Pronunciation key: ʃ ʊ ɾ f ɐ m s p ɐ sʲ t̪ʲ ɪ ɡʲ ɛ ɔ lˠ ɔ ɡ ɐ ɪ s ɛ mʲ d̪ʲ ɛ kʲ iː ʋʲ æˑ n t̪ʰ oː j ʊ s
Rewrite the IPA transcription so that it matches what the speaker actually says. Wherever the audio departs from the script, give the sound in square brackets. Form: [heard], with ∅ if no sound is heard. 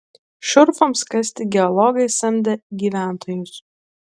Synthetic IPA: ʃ ʊ ɾ f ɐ m s [k] ɐ sʲ t̪ʲ ɪ ɡʲ ɛ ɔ lˠ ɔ ɡ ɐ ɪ s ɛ mʲ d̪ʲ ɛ [ɡʲ] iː ʋʲ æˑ n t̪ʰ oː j ʊ s